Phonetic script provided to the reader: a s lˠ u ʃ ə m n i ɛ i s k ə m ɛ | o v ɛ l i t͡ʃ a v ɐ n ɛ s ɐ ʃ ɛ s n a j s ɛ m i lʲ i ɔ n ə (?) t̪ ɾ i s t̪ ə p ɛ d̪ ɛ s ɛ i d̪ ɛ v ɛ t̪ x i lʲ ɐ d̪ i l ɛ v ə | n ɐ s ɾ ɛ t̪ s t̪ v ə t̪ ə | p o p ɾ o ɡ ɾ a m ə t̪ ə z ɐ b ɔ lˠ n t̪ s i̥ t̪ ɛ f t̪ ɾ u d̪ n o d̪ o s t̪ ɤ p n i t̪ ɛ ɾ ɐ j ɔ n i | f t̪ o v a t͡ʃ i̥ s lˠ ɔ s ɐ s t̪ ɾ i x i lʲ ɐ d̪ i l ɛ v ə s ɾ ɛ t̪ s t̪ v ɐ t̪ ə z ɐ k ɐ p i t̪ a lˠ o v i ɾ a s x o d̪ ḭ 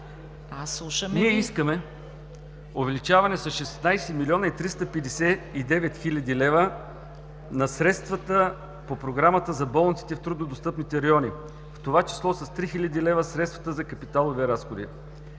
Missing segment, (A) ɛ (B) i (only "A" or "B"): B